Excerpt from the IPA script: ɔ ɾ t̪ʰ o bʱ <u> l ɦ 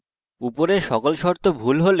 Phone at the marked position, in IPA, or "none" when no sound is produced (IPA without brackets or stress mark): u